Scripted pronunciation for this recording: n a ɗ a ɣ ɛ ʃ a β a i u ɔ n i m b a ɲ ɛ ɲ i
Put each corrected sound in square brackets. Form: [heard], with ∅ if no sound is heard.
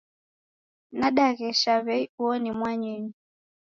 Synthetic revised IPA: n a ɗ a ɣ ɛ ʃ a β [ɛ] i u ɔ n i m [w] a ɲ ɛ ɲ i